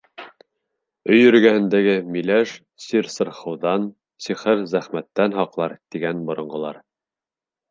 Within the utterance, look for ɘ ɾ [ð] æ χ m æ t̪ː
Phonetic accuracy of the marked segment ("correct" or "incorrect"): incorrect